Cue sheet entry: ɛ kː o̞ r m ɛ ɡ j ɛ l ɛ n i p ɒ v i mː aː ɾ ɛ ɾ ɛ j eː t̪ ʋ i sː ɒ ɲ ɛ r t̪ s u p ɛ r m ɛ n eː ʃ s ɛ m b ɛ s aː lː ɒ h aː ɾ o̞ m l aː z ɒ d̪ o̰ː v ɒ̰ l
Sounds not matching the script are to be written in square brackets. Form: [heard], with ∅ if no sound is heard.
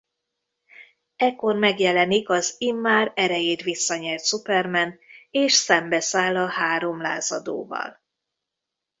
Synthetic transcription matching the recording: ɛ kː o̞ r m ɛ ɡ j ɛ l ɛ n i [k] ɒ [z] i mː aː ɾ ɛ ɾ ɛ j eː t̪ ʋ i sː ɒ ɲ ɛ r t̪ s u p ɛ r m ɛ n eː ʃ s ɛ m b ɛ s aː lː ɒ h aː ɾ o̞ m l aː z ɒ d̪ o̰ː v ɒ̰ l